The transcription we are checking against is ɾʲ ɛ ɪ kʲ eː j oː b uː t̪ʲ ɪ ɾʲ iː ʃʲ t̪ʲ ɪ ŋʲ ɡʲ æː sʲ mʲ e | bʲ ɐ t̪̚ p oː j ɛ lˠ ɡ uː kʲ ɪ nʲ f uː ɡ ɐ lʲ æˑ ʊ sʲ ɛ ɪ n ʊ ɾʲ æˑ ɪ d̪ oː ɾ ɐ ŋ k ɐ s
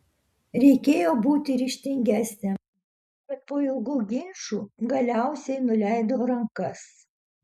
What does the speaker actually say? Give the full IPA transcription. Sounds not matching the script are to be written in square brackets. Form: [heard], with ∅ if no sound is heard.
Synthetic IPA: ɾʲ ɛ ɪ kʲ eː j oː b uː t̪ʲ ɪ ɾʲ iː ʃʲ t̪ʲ ɪ ŋʲ ɡʲ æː sʲ [nʲ] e | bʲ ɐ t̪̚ p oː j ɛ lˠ ɡ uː [ɡʲ] ɪ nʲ [ʃ] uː ɡ ɐ lʲ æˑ ʊ sʲ ɛ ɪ n ʊ [lʲ] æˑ ɪ d̪ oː ɾ ɐ ŋ k ɐ s